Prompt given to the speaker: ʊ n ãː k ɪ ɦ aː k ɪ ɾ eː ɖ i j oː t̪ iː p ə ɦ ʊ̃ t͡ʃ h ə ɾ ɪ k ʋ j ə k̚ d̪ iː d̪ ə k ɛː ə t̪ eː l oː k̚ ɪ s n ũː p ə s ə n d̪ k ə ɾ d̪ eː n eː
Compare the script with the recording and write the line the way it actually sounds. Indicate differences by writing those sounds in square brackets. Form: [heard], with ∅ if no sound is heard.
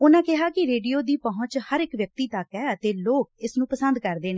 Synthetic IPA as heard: ʊ n ãː k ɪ ɦ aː k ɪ ɾ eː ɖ i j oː [d̪] iː p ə ɦ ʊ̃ t͡ʃ h ə ɾ ɪ k ʋ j ə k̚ [t̪] iː [t̪] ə k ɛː ə t̪ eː l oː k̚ ɪ s n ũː p ə s ə n d̪ k ə ɾ d̪ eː n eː